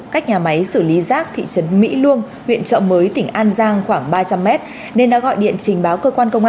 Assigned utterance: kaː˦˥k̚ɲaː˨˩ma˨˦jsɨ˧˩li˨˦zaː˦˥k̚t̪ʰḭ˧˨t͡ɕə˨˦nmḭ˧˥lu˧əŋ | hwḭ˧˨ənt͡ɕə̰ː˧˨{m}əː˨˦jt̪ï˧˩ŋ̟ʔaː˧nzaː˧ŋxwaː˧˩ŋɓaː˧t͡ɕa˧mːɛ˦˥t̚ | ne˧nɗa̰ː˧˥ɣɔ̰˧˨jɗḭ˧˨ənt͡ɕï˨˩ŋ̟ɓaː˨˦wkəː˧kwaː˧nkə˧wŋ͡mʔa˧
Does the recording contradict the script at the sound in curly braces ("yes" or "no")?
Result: no